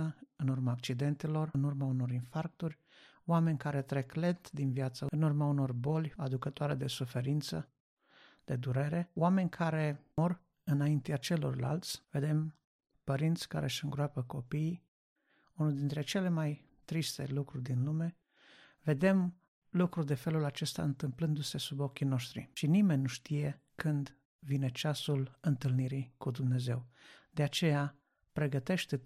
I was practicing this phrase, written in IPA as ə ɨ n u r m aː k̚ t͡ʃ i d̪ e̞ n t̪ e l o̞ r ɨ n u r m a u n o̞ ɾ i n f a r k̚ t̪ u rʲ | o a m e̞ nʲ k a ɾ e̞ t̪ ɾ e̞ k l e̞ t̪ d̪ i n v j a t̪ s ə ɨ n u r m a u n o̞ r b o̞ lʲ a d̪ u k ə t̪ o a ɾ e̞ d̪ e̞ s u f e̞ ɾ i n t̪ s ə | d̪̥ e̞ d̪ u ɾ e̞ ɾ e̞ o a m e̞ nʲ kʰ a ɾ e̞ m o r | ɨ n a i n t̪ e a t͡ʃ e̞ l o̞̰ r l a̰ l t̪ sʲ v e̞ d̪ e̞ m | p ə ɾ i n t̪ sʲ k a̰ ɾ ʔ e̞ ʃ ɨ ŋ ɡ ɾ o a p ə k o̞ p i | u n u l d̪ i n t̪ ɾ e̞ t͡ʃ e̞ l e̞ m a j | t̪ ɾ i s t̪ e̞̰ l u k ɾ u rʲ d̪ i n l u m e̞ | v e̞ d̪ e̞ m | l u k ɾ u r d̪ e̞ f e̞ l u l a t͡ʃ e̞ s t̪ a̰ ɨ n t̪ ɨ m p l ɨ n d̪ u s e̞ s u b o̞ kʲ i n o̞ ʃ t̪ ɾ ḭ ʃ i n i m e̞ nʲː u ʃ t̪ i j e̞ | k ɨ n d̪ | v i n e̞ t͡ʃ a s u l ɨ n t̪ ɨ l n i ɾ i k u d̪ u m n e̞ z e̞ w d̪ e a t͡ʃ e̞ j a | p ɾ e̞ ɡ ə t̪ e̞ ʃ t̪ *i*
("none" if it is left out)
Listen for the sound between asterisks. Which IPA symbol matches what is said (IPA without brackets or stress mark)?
e